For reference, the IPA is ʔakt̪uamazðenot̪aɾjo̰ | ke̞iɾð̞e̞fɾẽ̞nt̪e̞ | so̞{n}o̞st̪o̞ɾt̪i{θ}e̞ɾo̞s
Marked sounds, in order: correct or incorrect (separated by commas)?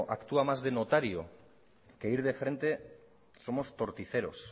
incorrect, correct